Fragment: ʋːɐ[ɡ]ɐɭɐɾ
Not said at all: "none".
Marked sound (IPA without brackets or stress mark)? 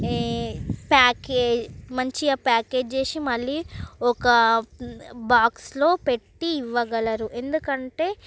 ɡ